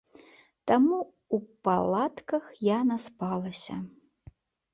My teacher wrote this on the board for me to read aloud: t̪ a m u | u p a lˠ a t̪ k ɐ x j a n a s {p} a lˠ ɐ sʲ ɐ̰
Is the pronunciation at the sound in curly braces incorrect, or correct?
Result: correct